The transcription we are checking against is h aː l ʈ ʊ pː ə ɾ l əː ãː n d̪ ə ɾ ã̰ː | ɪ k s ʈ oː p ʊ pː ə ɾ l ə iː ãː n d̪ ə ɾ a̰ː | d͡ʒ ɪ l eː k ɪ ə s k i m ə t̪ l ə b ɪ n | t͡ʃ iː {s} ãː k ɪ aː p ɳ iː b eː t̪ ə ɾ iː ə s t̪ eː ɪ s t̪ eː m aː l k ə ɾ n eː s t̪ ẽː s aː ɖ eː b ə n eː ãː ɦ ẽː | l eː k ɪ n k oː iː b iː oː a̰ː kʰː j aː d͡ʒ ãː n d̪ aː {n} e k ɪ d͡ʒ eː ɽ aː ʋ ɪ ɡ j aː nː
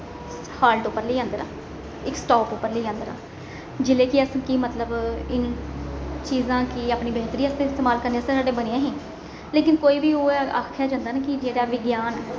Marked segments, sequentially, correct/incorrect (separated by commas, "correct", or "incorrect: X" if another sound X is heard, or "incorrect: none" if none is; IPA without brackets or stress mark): incorrect: z, correct